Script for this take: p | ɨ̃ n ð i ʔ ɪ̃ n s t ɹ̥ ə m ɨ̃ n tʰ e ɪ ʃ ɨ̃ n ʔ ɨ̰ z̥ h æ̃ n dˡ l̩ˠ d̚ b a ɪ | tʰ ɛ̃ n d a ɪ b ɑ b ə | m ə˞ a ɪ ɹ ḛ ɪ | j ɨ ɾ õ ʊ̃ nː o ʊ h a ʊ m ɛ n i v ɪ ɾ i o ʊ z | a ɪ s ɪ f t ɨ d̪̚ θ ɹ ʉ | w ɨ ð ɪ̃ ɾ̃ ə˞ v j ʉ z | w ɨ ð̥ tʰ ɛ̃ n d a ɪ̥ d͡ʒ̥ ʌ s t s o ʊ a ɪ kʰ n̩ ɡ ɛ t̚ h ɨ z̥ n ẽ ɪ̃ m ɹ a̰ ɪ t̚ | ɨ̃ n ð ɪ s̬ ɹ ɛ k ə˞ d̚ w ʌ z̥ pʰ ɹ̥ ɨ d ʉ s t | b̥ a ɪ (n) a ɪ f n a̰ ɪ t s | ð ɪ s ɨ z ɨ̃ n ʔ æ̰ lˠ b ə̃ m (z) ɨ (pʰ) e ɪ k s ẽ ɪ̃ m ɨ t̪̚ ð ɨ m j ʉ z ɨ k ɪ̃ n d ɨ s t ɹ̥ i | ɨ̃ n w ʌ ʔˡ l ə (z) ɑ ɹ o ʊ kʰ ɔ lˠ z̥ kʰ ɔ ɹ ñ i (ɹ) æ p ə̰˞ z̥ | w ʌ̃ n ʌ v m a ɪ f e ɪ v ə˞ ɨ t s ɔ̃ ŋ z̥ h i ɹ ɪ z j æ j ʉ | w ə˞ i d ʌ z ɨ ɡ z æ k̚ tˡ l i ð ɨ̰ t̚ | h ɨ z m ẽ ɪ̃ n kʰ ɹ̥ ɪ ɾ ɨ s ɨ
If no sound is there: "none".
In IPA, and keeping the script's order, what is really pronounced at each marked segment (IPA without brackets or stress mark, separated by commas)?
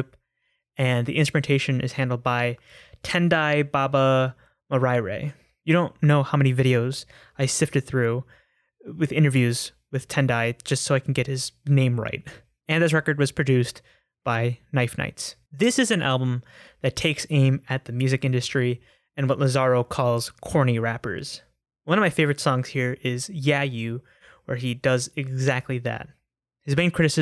n, ð, tʰ, z, ɹ